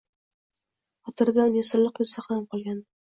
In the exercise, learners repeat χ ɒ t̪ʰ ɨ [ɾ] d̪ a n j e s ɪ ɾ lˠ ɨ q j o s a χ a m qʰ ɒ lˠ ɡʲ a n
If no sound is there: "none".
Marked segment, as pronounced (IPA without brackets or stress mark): ɾ